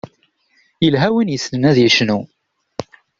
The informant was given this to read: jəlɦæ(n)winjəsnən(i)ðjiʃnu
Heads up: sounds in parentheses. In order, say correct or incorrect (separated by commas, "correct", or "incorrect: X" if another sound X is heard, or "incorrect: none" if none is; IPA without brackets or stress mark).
incorrect: none, incorrect: æ